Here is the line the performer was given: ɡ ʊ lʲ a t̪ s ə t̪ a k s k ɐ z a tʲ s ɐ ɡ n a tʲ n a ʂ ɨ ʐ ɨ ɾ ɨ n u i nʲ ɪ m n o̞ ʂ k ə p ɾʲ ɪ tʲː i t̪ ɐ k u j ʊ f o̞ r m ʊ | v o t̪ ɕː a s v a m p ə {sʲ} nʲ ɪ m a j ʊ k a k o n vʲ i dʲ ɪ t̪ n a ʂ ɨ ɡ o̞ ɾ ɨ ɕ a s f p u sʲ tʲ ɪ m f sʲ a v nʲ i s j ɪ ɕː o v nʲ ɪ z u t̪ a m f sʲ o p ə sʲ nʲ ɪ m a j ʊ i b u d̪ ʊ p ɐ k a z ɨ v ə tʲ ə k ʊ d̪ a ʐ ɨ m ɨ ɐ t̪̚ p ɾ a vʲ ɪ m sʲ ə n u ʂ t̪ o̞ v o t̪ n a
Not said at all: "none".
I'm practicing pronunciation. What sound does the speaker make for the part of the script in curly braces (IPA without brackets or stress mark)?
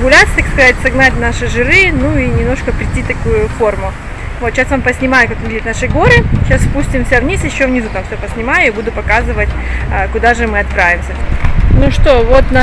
sʲ